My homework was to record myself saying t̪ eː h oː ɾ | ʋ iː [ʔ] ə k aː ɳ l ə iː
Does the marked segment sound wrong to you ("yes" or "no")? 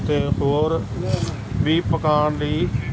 yes